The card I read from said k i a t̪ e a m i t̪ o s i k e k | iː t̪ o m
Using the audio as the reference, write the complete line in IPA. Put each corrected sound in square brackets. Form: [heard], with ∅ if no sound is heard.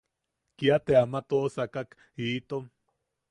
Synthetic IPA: k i a t̪ e a m [a] t̪ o s [a] k [a] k | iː t̪ o m